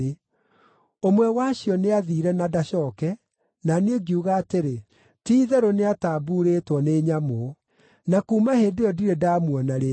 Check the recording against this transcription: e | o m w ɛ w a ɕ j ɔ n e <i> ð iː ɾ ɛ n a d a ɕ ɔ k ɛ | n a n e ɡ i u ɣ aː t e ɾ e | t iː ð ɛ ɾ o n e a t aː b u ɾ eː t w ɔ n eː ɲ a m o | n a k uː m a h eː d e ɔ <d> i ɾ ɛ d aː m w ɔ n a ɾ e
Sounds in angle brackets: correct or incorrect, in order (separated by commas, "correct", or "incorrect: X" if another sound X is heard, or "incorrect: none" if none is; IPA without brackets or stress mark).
incorrect: a, correct